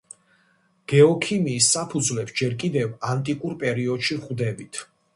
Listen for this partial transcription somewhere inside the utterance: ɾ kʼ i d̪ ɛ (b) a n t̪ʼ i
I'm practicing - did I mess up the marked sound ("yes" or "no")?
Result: yes